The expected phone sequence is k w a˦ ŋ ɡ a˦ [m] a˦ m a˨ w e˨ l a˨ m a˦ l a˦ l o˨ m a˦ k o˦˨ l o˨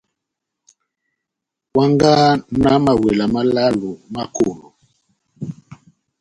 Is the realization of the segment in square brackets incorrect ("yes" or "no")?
yes